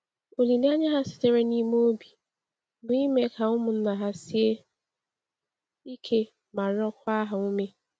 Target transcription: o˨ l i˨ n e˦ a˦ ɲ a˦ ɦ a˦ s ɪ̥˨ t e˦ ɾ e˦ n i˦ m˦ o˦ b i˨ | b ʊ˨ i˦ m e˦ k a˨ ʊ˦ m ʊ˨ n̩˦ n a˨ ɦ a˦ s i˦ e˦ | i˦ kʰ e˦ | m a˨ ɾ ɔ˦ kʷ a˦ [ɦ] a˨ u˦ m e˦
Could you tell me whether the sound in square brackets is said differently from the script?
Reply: no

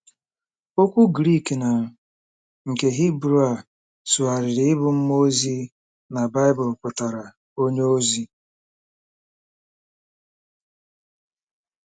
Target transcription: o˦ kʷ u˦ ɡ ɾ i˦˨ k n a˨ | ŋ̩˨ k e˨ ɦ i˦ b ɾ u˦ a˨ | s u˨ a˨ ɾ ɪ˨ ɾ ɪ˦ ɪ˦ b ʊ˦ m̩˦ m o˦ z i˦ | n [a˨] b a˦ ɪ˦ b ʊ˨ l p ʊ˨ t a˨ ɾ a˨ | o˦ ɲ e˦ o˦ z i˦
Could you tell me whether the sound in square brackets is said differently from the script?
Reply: no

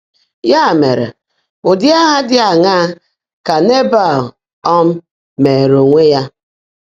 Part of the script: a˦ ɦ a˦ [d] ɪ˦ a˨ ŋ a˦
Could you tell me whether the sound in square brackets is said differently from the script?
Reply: no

